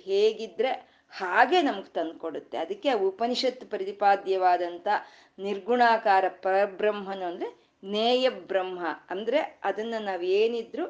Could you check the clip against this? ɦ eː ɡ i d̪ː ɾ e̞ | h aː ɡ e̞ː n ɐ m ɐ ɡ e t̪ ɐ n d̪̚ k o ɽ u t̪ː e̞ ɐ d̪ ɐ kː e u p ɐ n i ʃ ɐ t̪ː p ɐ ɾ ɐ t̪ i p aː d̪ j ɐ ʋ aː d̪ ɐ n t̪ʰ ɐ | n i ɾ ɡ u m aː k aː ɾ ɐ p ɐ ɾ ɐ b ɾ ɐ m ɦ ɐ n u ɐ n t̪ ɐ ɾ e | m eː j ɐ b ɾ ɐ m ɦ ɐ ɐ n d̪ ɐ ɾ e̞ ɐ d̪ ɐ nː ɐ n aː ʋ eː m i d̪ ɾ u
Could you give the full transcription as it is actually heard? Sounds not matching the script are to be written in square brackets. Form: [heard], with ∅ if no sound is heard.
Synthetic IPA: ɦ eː ɡ i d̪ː ɾ e̞ | h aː ɡ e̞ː n ɐ m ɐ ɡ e t̪ ɐ n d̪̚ k o ɽ u t̪ː e̞ ɐ d̪ ɐ kː e u p ɐ n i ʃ ɐ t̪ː p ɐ ɾ ɐ t̪ i p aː d̪ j ɐ ʋ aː d̪ ɐ n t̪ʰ ɐ | n i ɾ ɡ u [ɳ] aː k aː ɾ ɐ p ɐ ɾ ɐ b ɾ ɐ m ɦ ɐ n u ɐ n [d̪] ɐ ɾ e | [n] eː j ɐ b ɾ ɐ m ɦ ɐ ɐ n d̪ ɐ ɾ e̞ ɐ d̪ ɐ nː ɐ n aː ʋ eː [n] i d̪ ɾ u